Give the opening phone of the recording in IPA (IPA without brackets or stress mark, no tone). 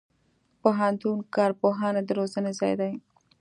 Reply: p